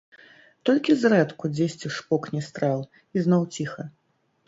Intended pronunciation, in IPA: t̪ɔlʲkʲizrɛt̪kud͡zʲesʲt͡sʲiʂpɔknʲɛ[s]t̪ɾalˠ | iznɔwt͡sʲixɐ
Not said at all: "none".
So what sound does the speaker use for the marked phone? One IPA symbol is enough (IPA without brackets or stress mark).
s